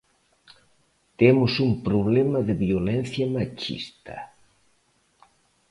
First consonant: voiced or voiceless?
voiceless